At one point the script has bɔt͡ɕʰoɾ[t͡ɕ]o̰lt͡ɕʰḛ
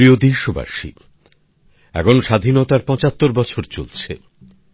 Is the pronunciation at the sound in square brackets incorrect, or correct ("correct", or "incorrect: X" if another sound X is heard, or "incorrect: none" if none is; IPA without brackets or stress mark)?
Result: correct